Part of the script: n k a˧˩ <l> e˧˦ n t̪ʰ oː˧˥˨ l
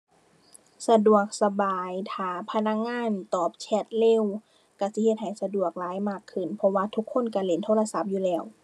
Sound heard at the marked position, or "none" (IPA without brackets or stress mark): l